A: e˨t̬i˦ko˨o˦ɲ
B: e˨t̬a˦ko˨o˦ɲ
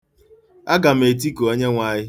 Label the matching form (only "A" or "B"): A